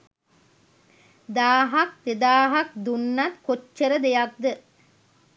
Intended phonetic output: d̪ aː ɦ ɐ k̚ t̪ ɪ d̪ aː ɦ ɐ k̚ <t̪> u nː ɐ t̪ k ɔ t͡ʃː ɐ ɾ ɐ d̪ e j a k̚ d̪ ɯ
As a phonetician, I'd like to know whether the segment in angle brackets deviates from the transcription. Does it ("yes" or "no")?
yes